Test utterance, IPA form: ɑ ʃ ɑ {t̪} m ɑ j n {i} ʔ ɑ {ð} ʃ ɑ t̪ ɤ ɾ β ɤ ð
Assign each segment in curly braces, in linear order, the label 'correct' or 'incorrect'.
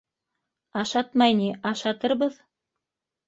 correct, correct, incorrect: none

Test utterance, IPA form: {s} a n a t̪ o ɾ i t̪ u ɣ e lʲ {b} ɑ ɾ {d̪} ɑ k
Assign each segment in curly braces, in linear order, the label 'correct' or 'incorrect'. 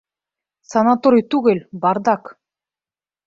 correct, correct, correct

